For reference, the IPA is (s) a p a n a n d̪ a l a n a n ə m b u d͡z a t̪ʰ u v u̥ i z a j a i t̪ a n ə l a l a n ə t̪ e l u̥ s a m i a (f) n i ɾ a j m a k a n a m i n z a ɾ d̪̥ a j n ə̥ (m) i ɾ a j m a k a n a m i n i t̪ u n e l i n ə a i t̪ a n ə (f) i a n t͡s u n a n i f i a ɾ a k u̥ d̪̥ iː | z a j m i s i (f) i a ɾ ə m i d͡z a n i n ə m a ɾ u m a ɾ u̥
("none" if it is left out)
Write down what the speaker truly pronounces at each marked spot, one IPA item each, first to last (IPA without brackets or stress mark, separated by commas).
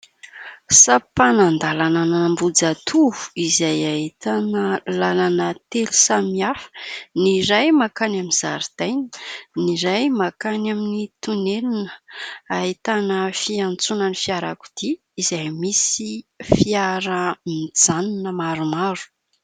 s, f, n, f, f